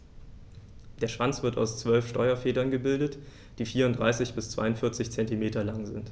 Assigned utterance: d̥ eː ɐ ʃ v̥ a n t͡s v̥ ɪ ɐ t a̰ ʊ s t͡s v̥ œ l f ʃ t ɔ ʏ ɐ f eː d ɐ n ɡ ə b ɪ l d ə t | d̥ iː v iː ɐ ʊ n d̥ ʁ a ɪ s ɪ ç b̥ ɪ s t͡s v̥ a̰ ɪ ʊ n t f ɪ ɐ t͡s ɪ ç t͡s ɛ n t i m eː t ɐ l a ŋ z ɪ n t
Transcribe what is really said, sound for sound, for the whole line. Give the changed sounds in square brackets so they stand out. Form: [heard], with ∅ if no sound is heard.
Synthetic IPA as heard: d̥ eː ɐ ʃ v̥ a n t͡s v̥ ɪ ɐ t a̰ ʊ s t͡s v̥ œ l f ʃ t ɔ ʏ ɐ f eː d ɐ n ɡ ə b ɪ l d ə t | d̥ iː [f] iː ɐ ʊ n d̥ ʁ a ɪ s ɪ ç b̥ ɪ s t͡s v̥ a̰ ɪ ʊ n t f ɪ ɐ t͡s ɪ ç t͡s ɛ n t i m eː t ɐ l a ŋ z ɪ n t